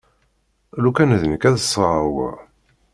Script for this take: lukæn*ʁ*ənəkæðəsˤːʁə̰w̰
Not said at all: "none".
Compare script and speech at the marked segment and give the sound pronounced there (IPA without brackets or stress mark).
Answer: ð